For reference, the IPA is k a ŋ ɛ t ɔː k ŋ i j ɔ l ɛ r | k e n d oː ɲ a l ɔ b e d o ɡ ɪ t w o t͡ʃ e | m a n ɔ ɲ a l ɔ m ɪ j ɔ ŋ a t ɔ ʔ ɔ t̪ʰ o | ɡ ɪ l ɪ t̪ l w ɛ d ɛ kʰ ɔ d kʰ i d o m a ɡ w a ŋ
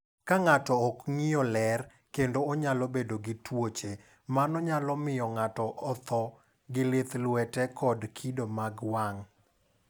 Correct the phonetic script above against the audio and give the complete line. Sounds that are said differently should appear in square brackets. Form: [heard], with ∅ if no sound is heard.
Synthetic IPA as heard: k a ŋ [a] t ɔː k ŋ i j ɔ l ɛ r | k e n d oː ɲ a l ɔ b e d o ɡ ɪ t w o t͡ʃ e | m a n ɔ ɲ a l ɔ m ɪ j ɔ ŋ a t ɔ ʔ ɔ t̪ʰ [ɔ] | ɡ ɪ l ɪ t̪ l w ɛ [t] ɛ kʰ ɔ d kʰ i d o m a ɡ w a ŋ

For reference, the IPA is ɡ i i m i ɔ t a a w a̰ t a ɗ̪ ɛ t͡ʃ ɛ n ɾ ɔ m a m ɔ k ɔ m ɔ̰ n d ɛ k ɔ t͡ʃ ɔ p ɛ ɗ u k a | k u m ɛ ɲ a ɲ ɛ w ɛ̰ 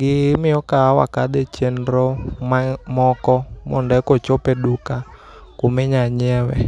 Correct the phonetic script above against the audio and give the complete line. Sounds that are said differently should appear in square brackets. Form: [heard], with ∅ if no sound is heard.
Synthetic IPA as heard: ɡ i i m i ɔ [k] a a w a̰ [k] a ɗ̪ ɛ t͡ʃ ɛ n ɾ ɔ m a m ɔ k ɔ m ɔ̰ n d ɛ k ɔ t͡ʃ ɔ p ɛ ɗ u k a | k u m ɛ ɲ a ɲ ɛ w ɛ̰

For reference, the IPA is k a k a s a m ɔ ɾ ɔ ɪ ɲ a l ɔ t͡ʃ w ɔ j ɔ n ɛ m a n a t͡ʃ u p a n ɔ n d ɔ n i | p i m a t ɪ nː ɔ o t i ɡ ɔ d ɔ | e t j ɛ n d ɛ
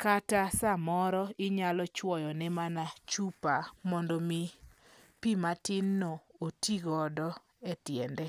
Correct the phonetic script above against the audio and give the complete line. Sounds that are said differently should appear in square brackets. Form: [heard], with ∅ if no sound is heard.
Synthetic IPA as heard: k a [t] a s a m ɔ ɾ ɔ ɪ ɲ a l ɔ t͡ʃ w ɔ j ɔ n ɛ m a n a t͡ʃ u p a [m] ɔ n d ɔ [m] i | p i m a t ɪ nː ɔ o t i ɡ ɔ d ɔ | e t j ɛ n d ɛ

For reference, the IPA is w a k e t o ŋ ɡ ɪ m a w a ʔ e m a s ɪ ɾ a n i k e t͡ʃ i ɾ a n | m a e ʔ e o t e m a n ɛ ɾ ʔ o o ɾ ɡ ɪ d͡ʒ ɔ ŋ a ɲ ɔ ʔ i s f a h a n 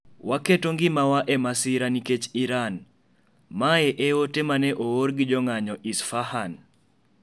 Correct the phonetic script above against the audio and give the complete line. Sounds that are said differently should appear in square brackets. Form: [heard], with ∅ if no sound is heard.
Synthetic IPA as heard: w a k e t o ŋ ɡ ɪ m a w a ʔ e m a s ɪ ɾ a n i k e t͡ʃ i ɾ a n | m a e ʔ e o t e m a n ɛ [∅] ʔ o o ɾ ɡ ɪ d͡ʒ ɔ ŋ a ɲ ɔ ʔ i s f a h a n

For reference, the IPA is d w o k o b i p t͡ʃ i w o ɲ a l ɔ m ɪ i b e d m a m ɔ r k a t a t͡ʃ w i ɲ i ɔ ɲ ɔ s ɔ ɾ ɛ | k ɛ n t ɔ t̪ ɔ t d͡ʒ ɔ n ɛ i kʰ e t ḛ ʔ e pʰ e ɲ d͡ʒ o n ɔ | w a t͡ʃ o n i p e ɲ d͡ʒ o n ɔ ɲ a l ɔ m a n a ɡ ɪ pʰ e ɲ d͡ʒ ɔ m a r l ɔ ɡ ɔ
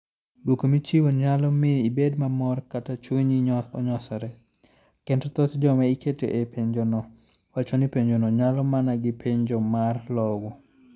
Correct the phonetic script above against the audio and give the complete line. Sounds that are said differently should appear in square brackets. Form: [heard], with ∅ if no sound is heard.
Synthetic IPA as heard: d w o k o [m] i [∅] t͡ʃ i w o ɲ a l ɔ m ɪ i b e d m a m ɔ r k a t a t͡ʃ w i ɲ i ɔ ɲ ɔ s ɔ ɾ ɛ | k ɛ n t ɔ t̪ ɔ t d͡ʒ ɔ [m] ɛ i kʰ e t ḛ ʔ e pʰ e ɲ d͡ʒ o n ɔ | w a t͡ʃ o n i p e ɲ d͡ʒ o n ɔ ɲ a l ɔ m a n a ɡ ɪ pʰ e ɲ d͡ʒ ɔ m a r l ɔ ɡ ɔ

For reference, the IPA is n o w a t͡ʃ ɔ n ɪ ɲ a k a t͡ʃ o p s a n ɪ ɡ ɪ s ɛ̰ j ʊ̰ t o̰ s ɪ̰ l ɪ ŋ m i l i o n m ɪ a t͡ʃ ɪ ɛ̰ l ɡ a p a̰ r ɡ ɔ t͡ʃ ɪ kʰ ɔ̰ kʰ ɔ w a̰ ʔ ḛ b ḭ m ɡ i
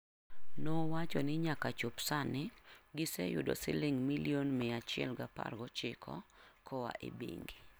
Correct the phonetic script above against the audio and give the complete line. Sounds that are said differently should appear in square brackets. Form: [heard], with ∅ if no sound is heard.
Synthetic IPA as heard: n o w a t͡ʃ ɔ n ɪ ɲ a k a t͡ʃ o p s a n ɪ ɡ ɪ s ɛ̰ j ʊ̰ [d] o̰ s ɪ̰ l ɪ ŋ m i l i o n m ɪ a t͡ʃ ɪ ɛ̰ l ɡ a p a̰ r ɡ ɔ t͡ʃ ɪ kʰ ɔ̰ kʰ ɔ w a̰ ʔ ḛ b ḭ [ŋ] ɡ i

